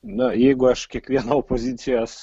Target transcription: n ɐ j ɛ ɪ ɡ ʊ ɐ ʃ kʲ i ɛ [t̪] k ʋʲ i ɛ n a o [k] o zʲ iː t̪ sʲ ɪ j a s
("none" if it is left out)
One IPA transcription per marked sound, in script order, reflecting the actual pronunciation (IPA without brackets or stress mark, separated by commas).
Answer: none, p